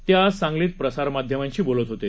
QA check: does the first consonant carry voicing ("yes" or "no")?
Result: no